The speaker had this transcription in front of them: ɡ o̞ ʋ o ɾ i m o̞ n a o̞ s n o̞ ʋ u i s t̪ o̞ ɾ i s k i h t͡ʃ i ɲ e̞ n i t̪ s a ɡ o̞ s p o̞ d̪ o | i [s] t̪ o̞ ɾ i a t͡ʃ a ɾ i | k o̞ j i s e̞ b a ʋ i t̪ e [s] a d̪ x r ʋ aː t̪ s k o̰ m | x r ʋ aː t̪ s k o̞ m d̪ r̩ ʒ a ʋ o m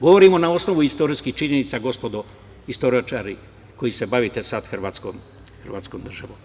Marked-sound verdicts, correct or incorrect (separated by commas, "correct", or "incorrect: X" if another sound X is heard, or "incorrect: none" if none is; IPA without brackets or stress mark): correct, correct